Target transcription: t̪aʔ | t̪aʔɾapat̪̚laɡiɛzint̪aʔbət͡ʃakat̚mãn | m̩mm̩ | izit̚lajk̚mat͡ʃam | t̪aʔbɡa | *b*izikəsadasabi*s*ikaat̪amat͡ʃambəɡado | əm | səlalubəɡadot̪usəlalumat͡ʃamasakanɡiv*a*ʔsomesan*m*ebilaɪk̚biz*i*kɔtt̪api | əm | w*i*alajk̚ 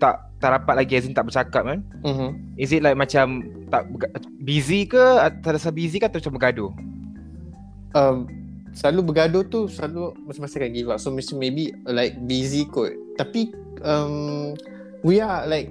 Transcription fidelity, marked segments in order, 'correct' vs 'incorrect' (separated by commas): correct, incorrect, correct, correct, correct, correct